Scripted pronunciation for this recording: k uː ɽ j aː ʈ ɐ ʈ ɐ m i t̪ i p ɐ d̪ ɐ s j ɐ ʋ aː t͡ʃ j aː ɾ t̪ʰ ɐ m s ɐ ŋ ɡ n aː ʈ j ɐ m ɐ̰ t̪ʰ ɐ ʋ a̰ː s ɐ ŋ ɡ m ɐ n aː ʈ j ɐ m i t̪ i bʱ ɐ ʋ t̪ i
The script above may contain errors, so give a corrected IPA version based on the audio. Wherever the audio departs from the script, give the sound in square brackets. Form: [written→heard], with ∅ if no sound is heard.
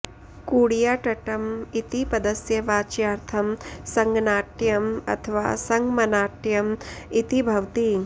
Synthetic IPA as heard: k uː ɽ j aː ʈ ɐ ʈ ɐ m i t̪ i p ɐ d̪ ɐ s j ɐ ʋ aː t͡ʃ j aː ɾ t̪ʰ ɐ m s ɐ ŋ ɡ n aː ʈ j ɐ m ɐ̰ t̪ʰ ɐ ʋ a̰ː s ɐ ŋ ɡ m ɐ n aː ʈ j ɐ m i t̪ i bʱ ɐ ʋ t̪ i

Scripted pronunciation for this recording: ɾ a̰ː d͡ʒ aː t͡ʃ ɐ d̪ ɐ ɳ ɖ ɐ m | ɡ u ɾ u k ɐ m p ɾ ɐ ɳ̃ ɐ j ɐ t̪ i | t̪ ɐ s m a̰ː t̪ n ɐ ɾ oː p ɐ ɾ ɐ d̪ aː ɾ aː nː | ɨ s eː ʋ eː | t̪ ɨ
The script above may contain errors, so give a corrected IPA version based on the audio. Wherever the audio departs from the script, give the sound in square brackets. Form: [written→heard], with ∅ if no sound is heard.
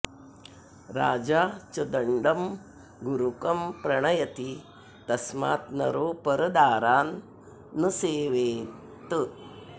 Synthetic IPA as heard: ɾ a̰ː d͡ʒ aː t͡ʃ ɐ d̪ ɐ ɳ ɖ ɐ m | ɡ u ɾ u k ɐ m p ɾ ɐ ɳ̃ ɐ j ɐ t̪ i | t̪ ɐ s m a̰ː t̪ n ɐ ɾ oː p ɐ ɾ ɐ d̪ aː ɾ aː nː | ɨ s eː ʋ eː | t̪ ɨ

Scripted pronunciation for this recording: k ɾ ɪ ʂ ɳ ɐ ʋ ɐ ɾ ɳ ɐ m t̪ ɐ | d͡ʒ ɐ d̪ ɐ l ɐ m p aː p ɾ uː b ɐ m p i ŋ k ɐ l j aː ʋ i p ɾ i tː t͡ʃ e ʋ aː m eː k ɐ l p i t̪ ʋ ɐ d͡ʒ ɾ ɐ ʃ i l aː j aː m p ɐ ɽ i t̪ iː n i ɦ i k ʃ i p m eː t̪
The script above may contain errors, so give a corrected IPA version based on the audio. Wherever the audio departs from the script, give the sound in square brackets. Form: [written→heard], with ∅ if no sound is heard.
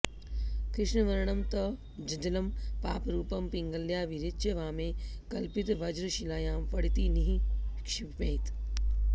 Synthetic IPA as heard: k ɾ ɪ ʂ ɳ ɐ ʋ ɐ ɾ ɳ ɐ m t̪ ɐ | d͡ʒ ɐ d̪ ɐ l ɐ m p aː p ɾ uː [b→p] ɐ m p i ŋ [k→ɡ] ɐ l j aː ʋ i [p→∅] ɾ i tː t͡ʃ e ʋ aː m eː k ɐ l p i t̪ ʋ ɐ d͡ʒ ɾ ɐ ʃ i l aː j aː m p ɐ ɽ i t̪ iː n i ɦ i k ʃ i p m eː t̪

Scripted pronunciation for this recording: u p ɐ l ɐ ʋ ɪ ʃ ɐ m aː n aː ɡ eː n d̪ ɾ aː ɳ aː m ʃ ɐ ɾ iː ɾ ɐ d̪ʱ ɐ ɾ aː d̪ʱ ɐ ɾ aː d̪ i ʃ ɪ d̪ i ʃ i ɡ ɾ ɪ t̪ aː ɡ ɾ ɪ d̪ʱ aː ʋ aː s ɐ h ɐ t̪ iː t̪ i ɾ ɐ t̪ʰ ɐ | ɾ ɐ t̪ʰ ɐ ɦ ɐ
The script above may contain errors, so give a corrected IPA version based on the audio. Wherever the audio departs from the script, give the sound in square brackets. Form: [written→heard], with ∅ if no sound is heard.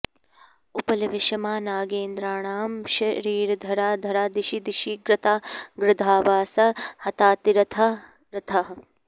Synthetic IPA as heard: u p ɐ l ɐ ʋ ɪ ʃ ɐ m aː n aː ɡ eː n d̪ ɾ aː ɳ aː m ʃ ɐ ɾ iː ɾ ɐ d̪ʱ ɐ ɾ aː d̪ʱ ɐ ɾ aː d̪ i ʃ [ɪ→i] d̪ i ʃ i ɡ ɾ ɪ t̪ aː ɡ ɾ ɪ d̪ʱ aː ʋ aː s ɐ h ɐ t̪ [iː→aː] t̪ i ɾ ɐ t̪ʰ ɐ | ɾ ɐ t̪ʰ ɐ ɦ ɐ

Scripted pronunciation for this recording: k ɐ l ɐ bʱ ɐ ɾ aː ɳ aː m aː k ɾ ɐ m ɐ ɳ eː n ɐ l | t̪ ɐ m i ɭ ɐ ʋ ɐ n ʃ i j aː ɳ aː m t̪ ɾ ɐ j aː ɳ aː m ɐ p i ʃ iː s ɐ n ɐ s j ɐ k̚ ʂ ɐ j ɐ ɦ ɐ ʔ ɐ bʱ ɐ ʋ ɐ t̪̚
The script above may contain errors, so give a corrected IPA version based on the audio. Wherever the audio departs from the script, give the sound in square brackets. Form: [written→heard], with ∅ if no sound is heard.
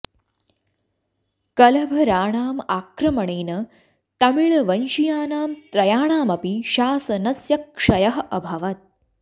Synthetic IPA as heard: k ɐ l ɐ bʱ ɐ ɾ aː ɳ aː m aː k ɾ ɐ m ɐ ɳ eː n ɐ [l→∅] | t̪ ɐ m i ɭ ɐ ʋ ɐ n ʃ i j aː [ɳ→n] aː m t̪ ɾ ɐ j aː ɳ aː m ɐ p i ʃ [iː→aː] s ɐ n ɐ s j ɐ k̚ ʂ ɐ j ɐ ɦ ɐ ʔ ɐ bʱ ɐ ʋ ɐ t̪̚

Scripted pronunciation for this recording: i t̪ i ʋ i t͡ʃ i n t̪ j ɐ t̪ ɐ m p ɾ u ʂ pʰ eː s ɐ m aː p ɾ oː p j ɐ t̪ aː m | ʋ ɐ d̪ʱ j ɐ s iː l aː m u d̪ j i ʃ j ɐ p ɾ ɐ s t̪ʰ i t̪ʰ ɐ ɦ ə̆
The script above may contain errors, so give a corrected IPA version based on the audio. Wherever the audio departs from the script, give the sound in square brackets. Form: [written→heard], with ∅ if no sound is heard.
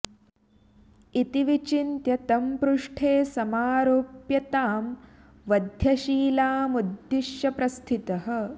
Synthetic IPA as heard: i t̪ i ʋ i t͡ʃ i n t̪ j ɐ t̪ ɐ m p ɾ u ʂ [pʰ→ʈʰ] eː s ɐ m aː [p→∅] ɾ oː p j ɐ t̪ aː m | ʋ ɐ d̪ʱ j ɐ [s→ʃ] iː l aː m u d̪ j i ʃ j ɐ p ɾ ɐ s t̪ʰ i [t̪ʰ→t̪] ɐ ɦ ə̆

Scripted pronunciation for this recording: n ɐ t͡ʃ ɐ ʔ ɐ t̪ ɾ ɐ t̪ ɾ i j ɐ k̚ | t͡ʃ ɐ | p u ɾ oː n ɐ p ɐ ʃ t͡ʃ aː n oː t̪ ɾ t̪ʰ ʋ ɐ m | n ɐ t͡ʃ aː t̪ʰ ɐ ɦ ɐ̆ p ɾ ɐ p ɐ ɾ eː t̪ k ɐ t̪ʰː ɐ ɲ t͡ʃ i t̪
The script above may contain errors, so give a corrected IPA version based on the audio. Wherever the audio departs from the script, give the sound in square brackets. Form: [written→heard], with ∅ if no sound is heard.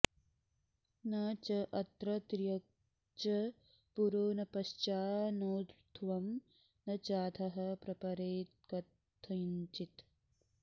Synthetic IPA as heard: n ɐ t͡ʃ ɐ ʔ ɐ t̪ ɾ ɐ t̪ ɾ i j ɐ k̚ | t͡ʃ ɐ | p u ɾ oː n ɐ p ɐ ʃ t͡ʃ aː n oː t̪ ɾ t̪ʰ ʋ ɐ m | n ɐ t͡ʃ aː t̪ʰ ɐ ɦ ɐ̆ p ɾ ɐ p ɐ ɾ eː t̪ k ɐ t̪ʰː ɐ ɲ t͡ʃ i t̪

